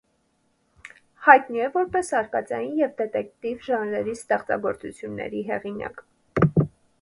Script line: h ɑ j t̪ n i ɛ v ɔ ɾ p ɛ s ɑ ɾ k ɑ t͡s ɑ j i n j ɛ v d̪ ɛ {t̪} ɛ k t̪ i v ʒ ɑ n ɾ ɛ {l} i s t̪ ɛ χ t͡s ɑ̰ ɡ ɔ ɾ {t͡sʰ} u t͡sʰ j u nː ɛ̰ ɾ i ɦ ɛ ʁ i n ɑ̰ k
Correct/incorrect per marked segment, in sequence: correct, incorrect: ɾ, incorrect: t͡s

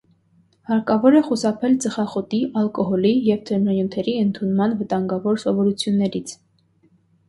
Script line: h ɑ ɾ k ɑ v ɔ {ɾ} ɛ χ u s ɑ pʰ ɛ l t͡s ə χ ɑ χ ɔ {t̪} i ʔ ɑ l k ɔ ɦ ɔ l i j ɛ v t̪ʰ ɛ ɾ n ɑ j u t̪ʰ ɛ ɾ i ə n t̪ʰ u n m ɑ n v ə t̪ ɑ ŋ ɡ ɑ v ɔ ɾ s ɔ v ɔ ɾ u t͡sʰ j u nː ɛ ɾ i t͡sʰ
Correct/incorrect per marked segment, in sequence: correct, correct

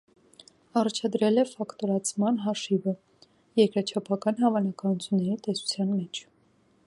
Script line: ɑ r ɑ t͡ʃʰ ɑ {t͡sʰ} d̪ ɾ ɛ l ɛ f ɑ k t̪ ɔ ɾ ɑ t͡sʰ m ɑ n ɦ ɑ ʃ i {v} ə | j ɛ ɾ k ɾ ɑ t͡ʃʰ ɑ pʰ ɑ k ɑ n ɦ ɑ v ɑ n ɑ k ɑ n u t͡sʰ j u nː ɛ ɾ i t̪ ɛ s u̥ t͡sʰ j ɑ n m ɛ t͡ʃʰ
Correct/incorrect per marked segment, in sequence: incorrect: none, correct

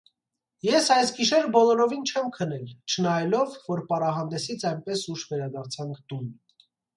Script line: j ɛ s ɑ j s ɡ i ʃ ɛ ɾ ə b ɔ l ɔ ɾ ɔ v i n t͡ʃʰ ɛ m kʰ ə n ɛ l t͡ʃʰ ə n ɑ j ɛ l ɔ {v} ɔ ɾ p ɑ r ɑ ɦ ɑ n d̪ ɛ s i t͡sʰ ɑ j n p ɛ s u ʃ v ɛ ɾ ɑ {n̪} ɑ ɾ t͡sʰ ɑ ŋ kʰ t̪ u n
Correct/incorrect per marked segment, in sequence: incorrect: vː, incorrect: d̪

